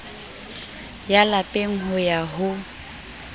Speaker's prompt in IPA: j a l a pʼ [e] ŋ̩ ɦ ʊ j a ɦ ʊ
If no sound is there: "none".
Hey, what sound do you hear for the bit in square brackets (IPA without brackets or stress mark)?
e